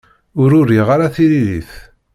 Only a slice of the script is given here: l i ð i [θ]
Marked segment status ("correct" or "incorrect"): correct